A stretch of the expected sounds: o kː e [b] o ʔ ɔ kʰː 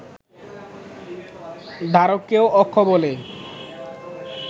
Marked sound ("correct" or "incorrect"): incorrect